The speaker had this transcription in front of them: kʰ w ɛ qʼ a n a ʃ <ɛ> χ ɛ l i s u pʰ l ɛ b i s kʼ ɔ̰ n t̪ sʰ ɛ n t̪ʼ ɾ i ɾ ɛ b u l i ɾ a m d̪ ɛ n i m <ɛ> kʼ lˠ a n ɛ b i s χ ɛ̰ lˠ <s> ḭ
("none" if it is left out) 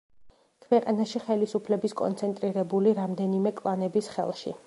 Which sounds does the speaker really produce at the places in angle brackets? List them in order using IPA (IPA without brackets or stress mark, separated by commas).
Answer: i, ɛ, ʃ